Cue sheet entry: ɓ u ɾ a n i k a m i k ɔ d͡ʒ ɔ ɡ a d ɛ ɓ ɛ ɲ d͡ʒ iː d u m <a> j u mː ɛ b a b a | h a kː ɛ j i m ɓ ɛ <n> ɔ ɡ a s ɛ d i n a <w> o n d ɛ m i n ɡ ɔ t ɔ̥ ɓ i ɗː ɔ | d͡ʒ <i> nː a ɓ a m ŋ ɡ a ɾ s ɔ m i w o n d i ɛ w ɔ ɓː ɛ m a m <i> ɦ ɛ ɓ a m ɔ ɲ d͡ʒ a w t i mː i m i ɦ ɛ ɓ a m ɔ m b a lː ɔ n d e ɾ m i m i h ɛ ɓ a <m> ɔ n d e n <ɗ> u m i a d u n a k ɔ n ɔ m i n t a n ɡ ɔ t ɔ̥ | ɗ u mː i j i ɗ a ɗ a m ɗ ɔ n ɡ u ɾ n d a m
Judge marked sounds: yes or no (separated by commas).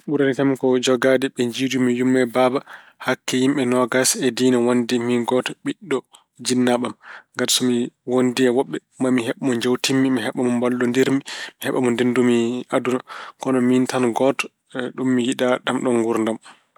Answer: no, yes, yes, yes, yes, yes, no